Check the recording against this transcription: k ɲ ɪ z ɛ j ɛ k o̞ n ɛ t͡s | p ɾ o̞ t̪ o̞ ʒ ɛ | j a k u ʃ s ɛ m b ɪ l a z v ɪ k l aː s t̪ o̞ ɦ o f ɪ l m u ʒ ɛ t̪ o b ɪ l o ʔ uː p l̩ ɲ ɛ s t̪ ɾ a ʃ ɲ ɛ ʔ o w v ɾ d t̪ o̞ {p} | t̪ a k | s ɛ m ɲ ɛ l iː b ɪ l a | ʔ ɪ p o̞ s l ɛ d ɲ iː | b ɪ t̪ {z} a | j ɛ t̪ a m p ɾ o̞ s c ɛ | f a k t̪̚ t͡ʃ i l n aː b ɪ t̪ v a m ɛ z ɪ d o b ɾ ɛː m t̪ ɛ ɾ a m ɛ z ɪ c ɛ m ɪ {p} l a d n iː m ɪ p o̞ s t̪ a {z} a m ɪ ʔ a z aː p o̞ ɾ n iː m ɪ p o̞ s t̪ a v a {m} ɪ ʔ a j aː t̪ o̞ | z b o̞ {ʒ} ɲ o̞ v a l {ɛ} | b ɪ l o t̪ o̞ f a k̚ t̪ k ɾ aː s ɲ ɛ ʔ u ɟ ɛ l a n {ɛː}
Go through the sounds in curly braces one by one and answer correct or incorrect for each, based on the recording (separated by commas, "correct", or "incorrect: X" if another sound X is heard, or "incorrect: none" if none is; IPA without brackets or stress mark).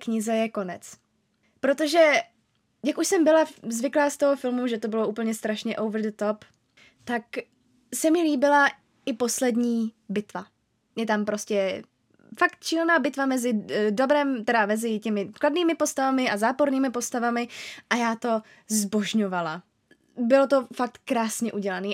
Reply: correct, incorrect: v, incorrect: k, incorrect: v, correct, correct, incorrect: a, incorrect: iː